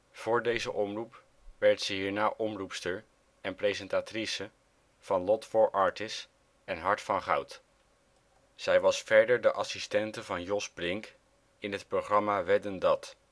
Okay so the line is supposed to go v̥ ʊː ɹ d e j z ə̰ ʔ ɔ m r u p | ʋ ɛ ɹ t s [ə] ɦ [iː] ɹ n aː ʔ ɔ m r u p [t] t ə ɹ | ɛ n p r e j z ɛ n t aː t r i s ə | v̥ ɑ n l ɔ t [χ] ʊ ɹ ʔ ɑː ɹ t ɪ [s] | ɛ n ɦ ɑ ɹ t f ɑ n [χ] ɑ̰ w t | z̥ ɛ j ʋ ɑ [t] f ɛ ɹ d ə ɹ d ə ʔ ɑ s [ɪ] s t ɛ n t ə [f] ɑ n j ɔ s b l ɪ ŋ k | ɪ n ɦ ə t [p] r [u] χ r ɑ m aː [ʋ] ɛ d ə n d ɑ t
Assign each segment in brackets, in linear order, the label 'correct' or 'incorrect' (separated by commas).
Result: correct, correct, incorrect, incorrect, correct, correct, incorrect, incorrect, incorrect, correct, incorrect, correct